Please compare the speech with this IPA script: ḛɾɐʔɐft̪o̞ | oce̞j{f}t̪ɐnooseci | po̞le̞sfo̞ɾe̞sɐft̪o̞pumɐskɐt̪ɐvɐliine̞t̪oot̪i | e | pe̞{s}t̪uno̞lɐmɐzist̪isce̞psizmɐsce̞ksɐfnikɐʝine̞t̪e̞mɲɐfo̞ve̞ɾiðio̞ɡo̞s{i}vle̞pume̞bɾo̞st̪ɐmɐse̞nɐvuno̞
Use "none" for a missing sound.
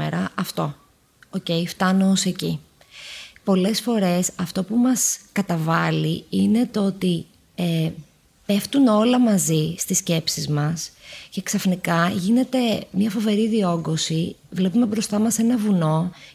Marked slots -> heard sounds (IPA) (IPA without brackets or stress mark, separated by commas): f, f, i